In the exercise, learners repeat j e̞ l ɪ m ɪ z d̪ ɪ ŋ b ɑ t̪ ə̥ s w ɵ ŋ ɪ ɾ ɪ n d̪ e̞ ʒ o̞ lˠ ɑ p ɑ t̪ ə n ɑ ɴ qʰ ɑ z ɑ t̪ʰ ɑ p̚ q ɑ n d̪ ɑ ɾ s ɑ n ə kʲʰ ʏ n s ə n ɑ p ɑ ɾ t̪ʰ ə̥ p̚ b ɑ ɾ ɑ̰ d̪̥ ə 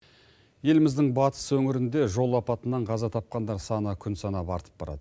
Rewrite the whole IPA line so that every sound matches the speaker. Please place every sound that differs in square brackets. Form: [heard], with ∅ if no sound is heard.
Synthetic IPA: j e̞ l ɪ m ɪ z d̪ ɪ ŋ b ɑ t̪ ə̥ s w ɵ ŋ ɪ ɾ ɪ n d̪ e̞ ʒ o̞ lˠ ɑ p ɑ t̪ ə n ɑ ɴ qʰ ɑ z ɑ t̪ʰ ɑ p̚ q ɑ n d̪ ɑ ɾ s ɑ n ə kʲʰ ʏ n s [ɑ] n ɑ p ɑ ɾ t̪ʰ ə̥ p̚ b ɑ ɾ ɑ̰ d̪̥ ə